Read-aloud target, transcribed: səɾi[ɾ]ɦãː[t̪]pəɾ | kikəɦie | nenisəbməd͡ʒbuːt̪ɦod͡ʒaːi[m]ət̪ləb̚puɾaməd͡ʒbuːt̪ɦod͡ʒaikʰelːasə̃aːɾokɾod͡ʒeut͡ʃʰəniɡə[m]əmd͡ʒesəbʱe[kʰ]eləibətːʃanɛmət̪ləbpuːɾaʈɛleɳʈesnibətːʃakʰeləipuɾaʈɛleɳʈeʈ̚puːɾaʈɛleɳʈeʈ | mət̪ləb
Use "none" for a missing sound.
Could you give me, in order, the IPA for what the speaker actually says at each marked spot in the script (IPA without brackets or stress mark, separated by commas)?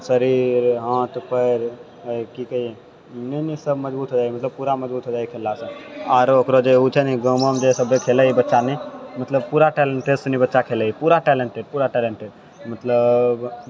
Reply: ɾ, t̪, m, m, kʰ